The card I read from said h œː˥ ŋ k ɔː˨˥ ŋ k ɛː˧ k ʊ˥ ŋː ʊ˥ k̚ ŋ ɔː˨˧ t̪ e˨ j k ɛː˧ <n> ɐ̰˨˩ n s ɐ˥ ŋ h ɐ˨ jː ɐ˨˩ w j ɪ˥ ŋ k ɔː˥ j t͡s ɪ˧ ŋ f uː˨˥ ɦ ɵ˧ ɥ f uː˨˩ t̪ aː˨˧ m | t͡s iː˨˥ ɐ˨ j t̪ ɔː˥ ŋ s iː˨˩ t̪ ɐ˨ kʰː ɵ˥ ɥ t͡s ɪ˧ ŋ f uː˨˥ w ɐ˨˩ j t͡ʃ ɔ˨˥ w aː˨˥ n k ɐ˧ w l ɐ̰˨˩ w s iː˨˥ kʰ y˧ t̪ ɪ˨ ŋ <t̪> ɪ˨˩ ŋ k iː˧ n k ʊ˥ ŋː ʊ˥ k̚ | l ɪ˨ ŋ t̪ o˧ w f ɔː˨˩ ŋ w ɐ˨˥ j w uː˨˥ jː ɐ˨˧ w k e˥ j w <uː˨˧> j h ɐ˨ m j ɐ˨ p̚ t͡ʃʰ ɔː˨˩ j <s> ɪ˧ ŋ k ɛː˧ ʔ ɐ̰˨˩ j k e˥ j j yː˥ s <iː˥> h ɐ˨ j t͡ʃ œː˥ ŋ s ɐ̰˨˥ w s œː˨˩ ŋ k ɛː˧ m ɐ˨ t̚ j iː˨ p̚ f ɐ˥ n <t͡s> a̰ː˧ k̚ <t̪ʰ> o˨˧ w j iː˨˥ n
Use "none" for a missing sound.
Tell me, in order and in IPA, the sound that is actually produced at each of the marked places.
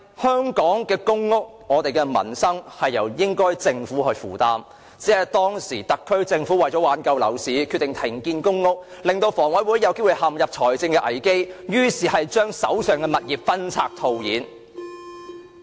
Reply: m, t̪ʰ, u˨˧, t͡s, iː˨˩, t͡sʰ, t̪ʰ

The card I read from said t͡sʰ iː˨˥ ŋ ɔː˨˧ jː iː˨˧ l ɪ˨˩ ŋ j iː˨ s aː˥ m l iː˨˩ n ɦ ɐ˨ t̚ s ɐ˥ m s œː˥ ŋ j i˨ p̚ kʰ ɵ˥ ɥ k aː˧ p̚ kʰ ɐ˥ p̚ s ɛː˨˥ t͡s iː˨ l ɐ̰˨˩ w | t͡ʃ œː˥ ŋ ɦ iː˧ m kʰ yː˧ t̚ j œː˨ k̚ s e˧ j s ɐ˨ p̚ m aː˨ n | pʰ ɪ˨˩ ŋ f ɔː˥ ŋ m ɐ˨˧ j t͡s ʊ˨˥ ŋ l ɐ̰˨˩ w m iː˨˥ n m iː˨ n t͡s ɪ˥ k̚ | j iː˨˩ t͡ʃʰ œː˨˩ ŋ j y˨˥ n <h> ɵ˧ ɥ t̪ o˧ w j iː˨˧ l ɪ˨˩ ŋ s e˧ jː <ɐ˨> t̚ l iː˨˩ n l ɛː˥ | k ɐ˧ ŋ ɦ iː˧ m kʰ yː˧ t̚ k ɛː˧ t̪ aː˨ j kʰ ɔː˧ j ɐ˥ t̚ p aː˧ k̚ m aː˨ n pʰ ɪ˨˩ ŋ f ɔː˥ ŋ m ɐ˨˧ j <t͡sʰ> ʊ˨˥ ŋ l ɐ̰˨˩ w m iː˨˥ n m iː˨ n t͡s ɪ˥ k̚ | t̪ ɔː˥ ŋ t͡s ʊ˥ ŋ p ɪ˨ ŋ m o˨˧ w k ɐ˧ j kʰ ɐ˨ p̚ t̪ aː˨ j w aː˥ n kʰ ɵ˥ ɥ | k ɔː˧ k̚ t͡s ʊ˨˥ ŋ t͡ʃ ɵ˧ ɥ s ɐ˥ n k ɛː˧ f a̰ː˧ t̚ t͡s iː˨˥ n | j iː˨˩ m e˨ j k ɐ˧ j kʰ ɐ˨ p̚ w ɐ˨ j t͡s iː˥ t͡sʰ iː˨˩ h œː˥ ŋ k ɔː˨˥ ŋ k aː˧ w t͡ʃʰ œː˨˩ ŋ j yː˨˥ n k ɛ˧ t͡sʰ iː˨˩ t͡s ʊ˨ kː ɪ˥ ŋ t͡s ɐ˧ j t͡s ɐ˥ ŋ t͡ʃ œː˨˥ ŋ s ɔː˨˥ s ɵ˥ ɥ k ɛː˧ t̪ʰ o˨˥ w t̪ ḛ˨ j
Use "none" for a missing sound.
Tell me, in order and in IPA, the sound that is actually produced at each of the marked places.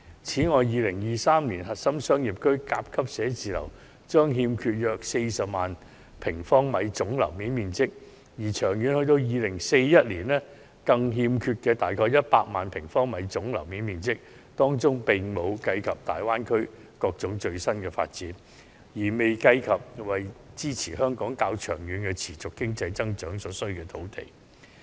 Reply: h, ɐ˥, t͡s

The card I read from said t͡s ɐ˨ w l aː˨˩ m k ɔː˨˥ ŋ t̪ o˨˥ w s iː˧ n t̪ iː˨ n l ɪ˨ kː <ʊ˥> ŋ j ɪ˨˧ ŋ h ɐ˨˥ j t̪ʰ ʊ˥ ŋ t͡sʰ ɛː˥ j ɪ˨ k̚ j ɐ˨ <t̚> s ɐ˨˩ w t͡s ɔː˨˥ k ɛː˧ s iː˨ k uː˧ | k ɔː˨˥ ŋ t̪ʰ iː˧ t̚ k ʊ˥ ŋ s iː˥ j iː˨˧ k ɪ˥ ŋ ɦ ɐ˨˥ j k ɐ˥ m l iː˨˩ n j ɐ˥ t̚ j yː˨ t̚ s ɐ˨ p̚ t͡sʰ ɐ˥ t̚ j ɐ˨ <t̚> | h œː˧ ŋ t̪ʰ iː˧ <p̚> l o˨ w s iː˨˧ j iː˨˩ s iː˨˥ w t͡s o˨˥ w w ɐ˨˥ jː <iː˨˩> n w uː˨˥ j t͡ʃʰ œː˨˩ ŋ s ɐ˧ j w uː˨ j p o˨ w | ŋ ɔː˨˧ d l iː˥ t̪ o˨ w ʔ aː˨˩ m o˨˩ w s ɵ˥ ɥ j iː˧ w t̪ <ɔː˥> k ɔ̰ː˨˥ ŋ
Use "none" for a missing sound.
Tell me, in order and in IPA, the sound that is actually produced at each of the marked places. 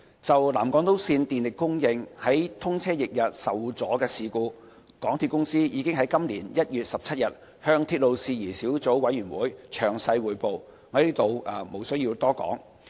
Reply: ʊ˥, t̚, t̚, t̚, yː˨˩, ɔː˥

